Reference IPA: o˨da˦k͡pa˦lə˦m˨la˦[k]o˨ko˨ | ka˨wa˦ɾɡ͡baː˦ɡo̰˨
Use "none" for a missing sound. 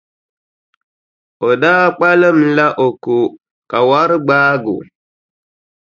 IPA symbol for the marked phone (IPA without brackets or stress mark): ʔ